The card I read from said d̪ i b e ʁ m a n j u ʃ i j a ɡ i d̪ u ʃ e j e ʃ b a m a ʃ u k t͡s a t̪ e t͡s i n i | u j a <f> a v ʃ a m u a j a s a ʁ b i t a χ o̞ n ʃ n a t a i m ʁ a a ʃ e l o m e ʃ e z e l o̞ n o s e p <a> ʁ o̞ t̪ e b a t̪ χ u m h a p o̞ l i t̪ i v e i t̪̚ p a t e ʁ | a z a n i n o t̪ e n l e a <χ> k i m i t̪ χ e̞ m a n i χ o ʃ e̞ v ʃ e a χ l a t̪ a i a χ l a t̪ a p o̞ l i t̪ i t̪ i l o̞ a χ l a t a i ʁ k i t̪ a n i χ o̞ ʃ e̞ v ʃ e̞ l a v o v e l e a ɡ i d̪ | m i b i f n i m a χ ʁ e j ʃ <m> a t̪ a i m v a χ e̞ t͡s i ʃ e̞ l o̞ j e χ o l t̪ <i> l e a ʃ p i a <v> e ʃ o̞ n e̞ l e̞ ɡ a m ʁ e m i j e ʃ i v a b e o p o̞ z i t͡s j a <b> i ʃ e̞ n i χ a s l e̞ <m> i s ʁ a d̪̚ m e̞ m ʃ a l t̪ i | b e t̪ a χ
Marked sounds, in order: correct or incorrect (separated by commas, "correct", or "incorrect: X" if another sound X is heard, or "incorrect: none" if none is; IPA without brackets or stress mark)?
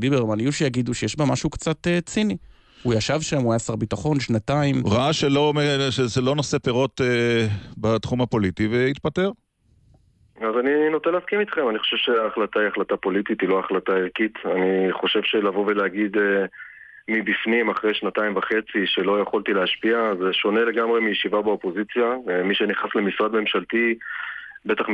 incorrect: ʃ, incorrect: e, incorrect: s, incorrect: n, correct, incorrect: z, incorrect: m, correct